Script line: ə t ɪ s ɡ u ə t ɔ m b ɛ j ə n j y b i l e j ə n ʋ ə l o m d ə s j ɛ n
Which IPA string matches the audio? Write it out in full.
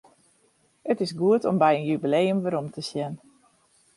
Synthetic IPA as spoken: ə t ɪ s ɡ u ə t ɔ m b ɛ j ə n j y b i l e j ə m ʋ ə ɾ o m t ə s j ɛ n